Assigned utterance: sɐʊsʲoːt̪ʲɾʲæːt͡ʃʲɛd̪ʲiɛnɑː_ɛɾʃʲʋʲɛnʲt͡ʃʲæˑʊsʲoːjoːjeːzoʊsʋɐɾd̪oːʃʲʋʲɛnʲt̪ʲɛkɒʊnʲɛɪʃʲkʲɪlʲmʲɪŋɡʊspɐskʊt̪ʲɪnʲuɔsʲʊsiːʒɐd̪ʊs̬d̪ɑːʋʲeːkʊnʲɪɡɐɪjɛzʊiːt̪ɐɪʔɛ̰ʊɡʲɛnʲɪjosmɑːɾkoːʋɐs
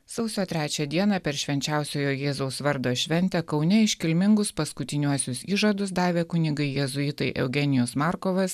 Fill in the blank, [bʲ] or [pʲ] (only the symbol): pʲ